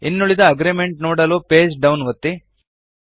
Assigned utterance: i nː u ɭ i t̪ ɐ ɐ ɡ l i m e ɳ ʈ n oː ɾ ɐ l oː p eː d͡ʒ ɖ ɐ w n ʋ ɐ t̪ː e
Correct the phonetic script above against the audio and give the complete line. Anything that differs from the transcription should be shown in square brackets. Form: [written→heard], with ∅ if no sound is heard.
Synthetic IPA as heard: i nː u ɭ i [t̪→d̪] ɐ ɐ ɡ [l→ɾ] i m e ɳ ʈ n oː [ɾ→ɽ] ɐ l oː p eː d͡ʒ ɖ ɐ w n ʋ ɐ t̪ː [e→i]